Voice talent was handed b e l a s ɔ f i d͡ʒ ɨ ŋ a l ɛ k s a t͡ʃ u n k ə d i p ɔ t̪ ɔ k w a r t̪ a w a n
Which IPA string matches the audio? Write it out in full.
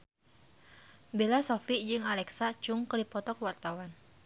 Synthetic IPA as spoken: b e l a s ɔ f i d͡ʒ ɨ ŋ a l ɛ k s a t͡ʃ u ŋ k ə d i p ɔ t̪ ɔ k w a r t̪ a w a n